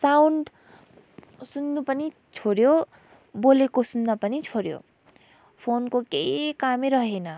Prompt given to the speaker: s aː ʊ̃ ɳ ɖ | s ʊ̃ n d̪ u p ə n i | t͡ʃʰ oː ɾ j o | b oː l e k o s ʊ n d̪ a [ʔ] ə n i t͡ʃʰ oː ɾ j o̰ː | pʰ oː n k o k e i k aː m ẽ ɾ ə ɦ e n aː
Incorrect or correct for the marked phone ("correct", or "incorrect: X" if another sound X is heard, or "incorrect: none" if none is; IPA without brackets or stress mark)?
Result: incorrect: p